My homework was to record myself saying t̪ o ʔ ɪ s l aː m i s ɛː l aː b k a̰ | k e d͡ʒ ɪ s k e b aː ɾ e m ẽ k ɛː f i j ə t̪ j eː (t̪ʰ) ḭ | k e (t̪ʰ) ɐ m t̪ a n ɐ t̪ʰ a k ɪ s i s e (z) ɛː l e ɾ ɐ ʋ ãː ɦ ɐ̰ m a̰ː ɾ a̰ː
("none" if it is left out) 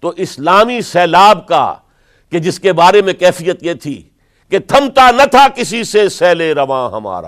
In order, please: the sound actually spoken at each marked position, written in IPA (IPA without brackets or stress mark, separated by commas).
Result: t̪ʰ, t̪ʰ, s